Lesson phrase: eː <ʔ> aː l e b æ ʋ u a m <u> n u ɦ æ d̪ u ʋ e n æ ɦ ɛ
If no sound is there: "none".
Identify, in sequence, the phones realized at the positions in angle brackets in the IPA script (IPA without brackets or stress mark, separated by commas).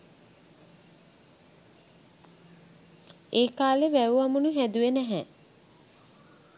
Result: k, u